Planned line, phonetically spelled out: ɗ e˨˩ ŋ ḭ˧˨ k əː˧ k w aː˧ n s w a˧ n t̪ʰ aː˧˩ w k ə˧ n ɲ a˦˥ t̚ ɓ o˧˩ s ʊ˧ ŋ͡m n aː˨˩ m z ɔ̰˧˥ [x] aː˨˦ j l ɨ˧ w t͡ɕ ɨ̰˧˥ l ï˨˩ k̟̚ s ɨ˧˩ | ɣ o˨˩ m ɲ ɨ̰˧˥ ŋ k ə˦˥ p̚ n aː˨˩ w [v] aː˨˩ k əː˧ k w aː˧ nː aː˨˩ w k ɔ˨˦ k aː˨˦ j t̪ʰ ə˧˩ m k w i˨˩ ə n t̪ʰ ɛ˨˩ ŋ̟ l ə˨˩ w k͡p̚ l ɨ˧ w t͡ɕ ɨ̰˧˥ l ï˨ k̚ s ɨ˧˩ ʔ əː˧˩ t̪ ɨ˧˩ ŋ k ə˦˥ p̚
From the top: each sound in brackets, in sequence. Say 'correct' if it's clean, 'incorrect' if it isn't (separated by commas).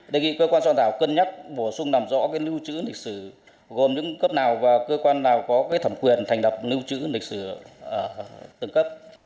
incorrect, correct